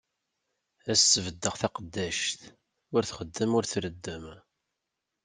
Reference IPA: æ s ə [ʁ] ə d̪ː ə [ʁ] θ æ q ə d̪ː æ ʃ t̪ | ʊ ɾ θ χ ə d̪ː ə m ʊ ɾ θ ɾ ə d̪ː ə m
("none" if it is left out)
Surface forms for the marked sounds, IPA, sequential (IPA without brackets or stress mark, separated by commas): v, ʁ